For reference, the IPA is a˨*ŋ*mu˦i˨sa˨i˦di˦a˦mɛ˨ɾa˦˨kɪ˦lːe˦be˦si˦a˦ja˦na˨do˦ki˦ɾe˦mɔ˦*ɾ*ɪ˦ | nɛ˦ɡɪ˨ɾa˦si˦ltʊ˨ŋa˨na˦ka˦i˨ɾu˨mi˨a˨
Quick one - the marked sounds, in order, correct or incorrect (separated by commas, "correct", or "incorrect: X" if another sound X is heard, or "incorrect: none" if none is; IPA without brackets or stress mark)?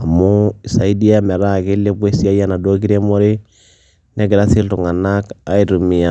incorrect: none, correct